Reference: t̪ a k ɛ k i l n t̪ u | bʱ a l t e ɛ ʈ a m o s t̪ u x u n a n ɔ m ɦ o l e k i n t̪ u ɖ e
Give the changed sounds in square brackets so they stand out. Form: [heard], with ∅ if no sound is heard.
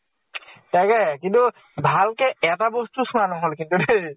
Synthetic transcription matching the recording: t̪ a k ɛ k i [∅] n t̪ u | bʱ a l [k] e ɛ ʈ a [b] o s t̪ u [ʃ] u n a n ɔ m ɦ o l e k i n t̪ u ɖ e